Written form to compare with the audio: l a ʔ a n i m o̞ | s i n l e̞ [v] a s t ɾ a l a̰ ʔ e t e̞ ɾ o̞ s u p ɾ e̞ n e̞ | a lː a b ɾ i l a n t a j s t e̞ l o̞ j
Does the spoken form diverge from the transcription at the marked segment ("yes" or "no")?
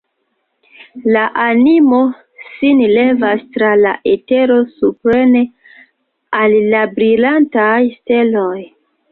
no